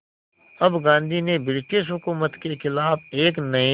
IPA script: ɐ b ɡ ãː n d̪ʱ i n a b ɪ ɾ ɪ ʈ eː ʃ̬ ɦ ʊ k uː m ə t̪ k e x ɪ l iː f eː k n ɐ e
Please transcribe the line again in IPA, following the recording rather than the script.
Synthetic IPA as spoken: ɐ b ɡ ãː n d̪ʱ i n e b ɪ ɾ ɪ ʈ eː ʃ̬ ɦ ʊ k uː m ə t̪ k e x ɪ l aː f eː k n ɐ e